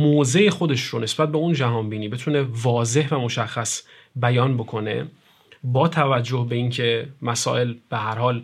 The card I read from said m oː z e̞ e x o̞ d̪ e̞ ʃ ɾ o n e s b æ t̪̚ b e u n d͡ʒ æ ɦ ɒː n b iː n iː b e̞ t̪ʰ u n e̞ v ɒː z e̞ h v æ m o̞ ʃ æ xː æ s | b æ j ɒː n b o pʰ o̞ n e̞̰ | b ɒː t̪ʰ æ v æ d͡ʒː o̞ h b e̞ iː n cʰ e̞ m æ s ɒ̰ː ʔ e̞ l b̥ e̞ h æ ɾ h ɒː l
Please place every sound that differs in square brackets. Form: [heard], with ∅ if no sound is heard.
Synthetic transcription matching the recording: m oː z e̞ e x o̞ d̪ e̞ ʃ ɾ o n e s b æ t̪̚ b e u n d͡ʒ æ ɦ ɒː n b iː n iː b e̞ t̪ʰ u n e̞ v ɒː z e̞ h v æ m o̞ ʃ æ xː æ s | b æ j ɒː n b o [kʰ] o̞ n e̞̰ | b ɒː t̪ʰ æ v æ d͡ʒː o̞ h b e̞ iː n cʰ e̞ m æ s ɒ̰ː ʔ e̞ l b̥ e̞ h æ ɾ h ɒː l